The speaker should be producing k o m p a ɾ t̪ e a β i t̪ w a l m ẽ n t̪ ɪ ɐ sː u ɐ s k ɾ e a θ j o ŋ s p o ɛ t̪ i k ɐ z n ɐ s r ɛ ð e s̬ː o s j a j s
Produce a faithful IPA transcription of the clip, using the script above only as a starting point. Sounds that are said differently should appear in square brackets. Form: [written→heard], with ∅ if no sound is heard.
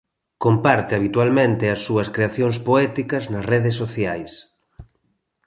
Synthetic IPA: k o m p a ɾ t̪ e a β i t̪ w a l m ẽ n t̪ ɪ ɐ sː u ɐ s k ɾ e a θ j o ŋ s p o ɛ t̪ i k ɐ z n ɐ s r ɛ ð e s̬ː o [s→θ] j a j s